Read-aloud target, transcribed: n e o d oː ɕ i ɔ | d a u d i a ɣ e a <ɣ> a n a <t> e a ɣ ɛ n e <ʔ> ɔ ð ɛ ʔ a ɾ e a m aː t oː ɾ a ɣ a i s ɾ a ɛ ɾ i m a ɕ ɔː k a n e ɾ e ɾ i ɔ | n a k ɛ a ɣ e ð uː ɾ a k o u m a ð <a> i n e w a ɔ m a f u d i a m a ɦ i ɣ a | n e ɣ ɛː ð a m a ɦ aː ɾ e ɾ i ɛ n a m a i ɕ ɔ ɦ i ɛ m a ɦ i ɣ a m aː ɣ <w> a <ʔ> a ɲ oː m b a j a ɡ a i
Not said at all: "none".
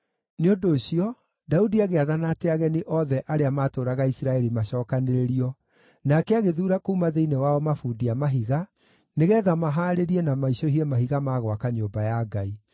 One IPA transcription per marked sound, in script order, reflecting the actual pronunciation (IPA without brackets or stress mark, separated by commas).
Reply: ð, t, ʔ, e, w, k